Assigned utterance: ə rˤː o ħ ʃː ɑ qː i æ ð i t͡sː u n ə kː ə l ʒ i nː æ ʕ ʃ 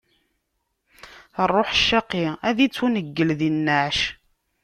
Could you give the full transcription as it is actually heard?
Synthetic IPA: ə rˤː o ħ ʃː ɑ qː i æ ð i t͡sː u n ə ɡː ə l ð i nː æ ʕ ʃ